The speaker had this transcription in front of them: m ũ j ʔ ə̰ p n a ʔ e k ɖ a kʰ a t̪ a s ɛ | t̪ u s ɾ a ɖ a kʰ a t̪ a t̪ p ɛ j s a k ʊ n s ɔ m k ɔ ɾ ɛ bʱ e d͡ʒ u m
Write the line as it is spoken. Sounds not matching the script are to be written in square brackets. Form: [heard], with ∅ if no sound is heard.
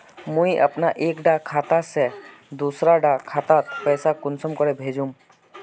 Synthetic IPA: m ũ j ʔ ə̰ p n a ʔ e k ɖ a kʰ a t̪ a s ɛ | [d̪] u s ɾ a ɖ a kʰ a t̪ a t̪ p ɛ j s a k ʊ n s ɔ m k ɔ ɾ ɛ bʱ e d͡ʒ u m